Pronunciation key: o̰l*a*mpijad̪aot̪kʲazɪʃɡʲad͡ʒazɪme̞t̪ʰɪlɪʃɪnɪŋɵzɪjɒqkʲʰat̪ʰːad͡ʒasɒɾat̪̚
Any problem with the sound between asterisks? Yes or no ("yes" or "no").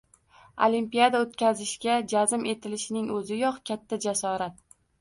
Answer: yes